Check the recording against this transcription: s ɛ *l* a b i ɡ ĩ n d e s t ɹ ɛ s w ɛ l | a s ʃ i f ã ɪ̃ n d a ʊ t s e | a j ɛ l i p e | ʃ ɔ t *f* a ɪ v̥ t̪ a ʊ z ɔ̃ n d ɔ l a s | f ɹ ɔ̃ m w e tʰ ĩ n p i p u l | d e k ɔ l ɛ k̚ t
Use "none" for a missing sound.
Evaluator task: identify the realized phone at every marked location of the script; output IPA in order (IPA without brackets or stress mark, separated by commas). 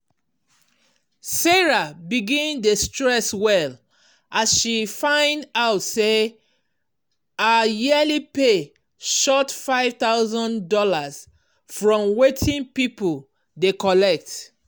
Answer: ɹ, f